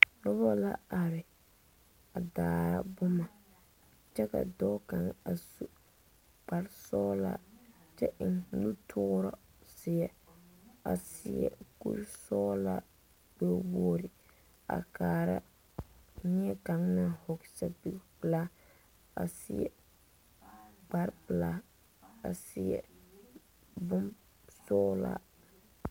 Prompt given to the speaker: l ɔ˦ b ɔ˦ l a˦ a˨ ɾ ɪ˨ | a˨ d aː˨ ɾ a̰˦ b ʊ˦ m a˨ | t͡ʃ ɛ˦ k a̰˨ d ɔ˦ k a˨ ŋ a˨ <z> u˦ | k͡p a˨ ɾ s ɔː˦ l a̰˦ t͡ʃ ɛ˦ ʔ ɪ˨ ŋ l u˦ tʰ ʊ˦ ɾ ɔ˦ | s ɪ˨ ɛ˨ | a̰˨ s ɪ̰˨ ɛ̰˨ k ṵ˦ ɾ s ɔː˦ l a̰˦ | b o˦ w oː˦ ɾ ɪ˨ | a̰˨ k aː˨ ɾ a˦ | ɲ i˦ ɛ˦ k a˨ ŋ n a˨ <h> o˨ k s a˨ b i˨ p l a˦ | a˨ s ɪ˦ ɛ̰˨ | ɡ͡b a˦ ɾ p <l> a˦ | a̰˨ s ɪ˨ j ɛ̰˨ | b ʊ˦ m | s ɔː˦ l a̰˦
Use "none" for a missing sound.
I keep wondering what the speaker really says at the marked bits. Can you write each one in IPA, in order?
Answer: s, h, l

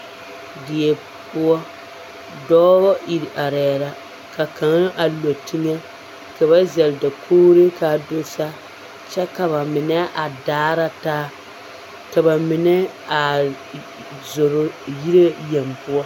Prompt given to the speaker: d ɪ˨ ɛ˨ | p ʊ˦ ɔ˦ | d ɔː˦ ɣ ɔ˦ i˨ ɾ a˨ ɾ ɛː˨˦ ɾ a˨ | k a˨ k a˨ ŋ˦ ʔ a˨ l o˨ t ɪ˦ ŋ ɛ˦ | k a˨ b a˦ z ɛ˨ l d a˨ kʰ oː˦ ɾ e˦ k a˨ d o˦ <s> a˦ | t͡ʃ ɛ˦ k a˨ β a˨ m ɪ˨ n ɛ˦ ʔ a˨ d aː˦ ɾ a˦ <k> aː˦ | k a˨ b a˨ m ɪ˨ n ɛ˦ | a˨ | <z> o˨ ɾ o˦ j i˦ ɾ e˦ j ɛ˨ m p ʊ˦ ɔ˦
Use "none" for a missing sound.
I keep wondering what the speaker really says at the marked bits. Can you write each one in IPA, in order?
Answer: s, t, z

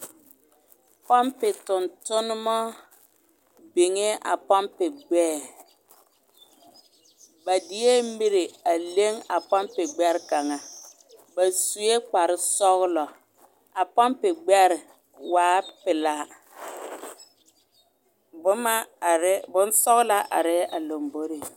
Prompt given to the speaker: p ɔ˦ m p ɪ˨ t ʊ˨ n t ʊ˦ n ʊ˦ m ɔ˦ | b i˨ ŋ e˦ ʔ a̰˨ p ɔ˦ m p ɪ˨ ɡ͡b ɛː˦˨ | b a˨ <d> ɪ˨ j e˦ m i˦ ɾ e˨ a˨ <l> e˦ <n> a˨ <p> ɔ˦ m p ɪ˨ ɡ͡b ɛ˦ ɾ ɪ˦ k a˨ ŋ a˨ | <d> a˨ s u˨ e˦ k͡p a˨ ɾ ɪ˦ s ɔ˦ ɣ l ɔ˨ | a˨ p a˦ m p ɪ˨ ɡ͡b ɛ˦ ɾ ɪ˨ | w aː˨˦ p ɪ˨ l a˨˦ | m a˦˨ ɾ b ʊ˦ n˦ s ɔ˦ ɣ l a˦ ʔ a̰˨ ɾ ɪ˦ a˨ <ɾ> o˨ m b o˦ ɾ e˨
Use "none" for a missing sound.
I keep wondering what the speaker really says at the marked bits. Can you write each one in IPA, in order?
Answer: d, l, ŋ, p, b, l

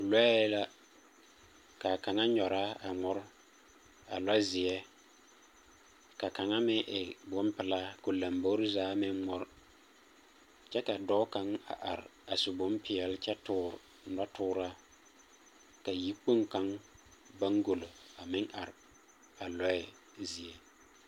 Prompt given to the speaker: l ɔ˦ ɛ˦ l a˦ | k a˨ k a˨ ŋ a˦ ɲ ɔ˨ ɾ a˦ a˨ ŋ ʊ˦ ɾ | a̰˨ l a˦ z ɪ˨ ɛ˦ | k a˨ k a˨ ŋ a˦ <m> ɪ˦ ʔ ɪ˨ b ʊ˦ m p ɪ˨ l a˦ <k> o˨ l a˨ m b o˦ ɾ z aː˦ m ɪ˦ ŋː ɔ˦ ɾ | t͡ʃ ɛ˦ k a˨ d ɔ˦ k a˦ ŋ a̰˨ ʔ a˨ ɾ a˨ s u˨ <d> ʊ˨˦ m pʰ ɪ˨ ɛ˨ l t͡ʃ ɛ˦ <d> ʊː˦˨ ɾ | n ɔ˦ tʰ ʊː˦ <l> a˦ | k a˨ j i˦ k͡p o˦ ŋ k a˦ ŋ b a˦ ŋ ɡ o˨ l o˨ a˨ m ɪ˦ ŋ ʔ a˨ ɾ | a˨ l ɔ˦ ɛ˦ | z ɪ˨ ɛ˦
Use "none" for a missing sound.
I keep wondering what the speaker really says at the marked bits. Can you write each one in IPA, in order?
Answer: m, k, b, t, ɾ

